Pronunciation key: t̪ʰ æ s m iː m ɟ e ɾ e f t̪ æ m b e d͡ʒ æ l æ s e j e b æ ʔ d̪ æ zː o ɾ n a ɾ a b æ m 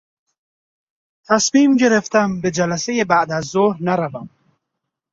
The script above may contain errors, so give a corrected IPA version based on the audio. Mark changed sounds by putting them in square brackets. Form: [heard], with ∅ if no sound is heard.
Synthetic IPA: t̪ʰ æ s m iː m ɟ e ɾ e f t̪ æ m b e d͡ʒ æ l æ s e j e b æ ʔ d̪ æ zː o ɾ n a ɾ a [v] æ m

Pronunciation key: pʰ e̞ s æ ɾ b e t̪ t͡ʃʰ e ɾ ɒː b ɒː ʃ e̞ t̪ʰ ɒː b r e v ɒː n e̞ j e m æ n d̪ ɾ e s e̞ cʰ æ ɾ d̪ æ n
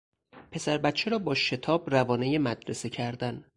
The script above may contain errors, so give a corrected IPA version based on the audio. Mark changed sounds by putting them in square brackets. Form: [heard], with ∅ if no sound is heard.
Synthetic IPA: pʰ e̞ s æ ɾ b [æ] t̪ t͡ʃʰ e ɾ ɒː b ɒː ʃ e̞ t̪ʰ ɒː b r [æ] v ɒː n e̞ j e m æ [∅] d̪ ɾ e s e̞ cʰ æ ɾ d̪ æ n

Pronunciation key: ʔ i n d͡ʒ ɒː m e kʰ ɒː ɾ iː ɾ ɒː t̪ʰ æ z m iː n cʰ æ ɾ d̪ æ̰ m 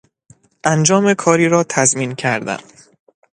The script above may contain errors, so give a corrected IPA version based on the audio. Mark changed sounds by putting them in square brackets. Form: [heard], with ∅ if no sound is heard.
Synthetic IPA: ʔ [æ] n d͡ʒ ɒː m e kʰ ɒː ɾ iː ɾ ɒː t̪ʰ æ z m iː n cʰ æ ɾ d̪ æ̰ m

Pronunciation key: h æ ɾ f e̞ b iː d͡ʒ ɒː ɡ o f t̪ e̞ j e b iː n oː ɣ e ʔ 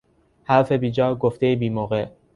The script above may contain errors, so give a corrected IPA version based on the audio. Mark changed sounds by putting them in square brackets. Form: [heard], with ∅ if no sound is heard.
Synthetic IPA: h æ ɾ f e̞ b iː d͡ʒ ɒː ɡ o f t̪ e̞ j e b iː [m] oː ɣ e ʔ

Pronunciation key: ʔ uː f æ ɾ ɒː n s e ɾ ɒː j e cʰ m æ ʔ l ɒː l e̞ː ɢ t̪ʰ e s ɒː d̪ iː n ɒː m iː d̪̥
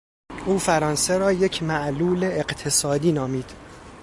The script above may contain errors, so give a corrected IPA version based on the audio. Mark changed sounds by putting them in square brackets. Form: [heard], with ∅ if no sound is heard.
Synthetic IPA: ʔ uː f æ ɾ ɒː n s e ɾ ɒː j e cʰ m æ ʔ l [uː] l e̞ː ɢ t̪ʰ e s ɒː d̪ iː n ɒː m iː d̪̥

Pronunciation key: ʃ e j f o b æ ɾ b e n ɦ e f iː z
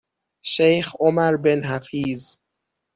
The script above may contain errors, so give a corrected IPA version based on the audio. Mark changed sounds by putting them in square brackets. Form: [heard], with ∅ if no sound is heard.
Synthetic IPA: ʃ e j [x] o [m] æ ɾ b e n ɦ [æ] f iː z

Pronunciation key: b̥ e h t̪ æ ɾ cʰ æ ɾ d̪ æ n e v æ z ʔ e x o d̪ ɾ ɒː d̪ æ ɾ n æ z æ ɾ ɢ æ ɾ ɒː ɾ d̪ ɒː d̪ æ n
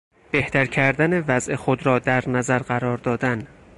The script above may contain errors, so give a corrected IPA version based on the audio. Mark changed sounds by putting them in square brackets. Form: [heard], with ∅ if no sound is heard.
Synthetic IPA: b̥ e h t̪ æ ɾ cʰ æ ɾ d̪ æ n e v æ z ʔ e x o d̪ ɾ ɒː d̪ æ ɾ n æ z æ ɾ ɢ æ ɾ ɒː ɾ d̪ ɒː d̪ æ n

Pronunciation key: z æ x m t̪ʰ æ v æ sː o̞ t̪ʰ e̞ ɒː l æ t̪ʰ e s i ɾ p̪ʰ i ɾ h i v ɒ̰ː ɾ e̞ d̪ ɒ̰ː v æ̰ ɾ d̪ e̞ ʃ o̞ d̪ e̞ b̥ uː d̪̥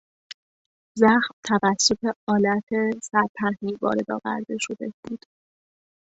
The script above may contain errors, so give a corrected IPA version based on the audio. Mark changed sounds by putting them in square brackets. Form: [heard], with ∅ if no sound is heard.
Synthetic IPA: z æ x m t̪ʰ æ v æ sː o̞ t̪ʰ e̞ ɒː l æ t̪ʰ e s [æ] ɾ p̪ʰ [æ] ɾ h i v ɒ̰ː ɾ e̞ d̪ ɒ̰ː v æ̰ ɾ d̪ e̞ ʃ o̞ d̪ e̞ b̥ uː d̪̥

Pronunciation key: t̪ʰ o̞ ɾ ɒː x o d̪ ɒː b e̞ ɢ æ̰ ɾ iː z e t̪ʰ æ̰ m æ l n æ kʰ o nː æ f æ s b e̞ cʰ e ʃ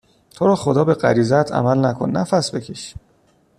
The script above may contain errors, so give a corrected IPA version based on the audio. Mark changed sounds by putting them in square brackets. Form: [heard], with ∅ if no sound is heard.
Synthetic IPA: t̪ʰ o̞ ɾ ɒː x o d̪ ɒː b e̞ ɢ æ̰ ɾ iː z [æ] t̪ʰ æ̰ m æ l n æ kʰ o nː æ f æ s b e̞ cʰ e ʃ

